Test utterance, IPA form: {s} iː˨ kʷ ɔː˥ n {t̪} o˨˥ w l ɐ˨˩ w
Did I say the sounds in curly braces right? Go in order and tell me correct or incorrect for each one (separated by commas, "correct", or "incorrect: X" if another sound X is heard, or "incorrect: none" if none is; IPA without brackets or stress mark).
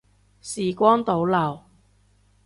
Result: correct, correct